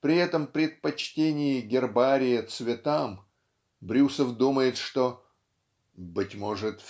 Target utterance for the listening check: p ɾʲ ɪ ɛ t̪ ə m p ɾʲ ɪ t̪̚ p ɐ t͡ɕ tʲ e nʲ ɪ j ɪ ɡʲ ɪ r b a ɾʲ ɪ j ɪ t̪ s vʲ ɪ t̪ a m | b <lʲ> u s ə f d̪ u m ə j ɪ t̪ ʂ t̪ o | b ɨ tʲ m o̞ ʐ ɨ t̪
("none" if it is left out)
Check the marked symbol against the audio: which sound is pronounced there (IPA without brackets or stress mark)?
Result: ɾʲ